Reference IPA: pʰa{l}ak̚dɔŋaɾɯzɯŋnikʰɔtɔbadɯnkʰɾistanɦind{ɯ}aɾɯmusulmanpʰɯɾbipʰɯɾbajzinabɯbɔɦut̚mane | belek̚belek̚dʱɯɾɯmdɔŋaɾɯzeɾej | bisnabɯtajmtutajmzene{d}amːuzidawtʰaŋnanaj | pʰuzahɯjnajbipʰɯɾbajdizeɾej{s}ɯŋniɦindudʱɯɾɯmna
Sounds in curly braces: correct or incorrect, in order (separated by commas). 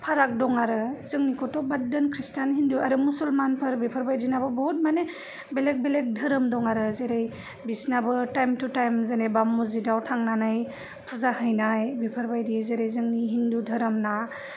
incorrect, incorrect, incorrect, incorrect